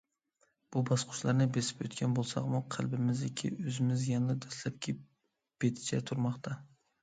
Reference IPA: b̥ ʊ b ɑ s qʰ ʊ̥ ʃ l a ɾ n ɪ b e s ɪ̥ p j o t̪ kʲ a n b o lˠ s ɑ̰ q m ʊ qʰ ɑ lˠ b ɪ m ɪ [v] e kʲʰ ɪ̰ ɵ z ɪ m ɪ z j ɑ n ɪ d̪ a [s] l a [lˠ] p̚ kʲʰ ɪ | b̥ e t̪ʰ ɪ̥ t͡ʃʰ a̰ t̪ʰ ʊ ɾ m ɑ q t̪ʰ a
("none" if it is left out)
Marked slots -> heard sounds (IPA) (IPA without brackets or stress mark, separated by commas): z, s, none